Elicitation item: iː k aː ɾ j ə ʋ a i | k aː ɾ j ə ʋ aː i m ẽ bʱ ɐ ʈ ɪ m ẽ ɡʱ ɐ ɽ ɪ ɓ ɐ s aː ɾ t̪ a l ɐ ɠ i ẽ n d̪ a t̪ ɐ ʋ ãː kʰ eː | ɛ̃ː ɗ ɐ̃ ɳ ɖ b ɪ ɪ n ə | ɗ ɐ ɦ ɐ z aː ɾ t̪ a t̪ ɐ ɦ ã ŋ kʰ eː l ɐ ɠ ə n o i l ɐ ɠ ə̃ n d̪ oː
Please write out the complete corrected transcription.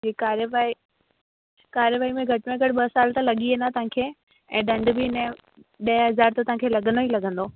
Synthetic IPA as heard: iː k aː ɾ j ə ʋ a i | k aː ɾ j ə ʋ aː i m ẽ ɡʱ ɐ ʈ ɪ m ẽ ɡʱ ɐ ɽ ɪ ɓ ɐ s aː l t̪ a l ɐ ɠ i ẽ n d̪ a t̪ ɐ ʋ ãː kʰ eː | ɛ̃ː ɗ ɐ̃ ɳ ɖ b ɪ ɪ n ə | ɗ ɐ ɦ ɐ z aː ɾ t̪ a t̪ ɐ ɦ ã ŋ kʰ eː l ɐ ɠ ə n o i l ɐ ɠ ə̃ n d̪ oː